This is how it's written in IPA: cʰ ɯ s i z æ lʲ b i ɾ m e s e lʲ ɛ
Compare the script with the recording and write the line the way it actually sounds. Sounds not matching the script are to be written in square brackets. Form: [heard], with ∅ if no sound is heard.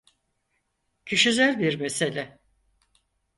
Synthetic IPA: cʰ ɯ [ʃ] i z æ lʲ b i ɾ m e s e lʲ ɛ